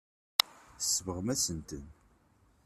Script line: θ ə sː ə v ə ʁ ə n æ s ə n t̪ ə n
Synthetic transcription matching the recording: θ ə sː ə v ə ʁ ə m æ s ə n t̪ ə n